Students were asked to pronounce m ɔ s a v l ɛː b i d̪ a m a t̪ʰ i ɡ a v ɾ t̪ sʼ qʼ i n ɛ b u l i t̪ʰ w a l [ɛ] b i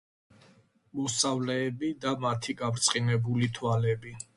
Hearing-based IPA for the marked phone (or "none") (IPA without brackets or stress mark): ɛ